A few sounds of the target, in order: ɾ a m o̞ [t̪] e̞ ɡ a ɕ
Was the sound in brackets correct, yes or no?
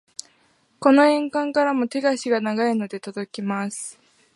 yes